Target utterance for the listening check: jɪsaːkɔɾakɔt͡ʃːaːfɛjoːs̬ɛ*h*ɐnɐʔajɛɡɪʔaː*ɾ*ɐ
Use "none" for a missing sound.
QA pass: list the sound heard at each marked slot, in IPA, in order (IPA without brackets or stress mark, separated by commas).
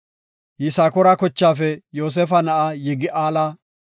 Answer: f, l